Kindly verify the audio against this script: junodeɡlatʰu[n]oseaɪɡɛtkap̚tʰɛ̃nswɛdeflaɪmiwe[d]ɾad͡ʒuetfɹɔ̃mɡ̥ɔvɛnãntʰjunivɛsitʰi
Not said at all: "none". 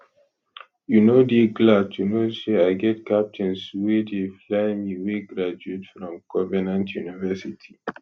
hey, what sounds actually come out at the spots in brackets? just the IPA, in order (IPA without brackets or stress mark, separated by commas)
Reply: n, ɡ